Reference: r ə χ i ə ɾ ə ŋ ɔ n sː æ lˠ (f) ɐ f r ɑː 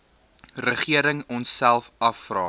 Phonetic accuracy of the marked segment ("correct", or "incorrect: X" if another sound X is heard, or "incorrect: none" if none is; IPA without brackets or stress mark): correct